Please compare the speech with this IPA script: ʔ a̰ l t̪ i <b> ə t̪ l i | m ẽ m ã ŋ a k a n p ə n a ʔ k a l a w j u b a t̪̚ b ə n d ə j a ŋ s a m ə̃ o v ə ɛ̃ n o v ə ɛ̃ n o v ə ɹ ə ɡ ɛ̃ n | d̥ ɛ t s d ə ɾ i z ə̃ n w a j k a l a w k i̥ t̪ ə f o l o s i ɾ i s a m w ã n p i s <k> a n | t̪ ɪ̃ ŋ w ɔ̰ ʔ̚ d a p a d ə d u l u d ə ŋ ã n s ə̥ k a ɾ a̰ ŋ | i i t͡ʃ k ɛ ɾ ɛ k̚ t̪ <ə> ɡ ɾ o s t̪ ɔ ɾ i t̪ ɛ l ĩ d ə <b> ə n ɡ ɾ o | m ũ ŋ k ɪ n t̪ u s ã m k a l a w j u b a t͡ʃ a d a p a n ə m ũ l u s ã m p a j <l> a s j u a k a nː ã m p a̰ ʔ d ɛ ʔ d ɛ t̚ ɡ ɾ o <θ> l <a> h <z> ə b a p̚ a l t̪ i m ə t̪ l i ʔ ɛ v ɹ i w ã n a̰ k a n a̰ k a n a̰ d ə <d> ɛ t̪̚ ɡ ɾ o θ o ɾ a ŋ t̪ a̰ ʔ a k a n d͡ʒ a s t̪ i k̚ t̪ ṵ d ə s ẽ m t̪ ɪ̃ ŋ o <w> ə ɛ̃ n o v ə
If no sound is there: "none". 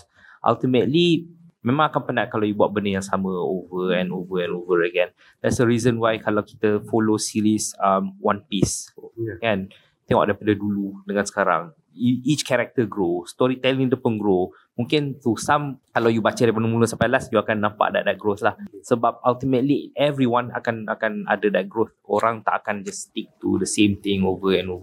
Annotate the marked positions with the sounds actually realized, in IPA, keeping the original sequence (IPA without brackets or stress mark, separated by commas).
m, k, ə, p, l, θ, a, s, d, v